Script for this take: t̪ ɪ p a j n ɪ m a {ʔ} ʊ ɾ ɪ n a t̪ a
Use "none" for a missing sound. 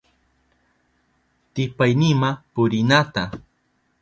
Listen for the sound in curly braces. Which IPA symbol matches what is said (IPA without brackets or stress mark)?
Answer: p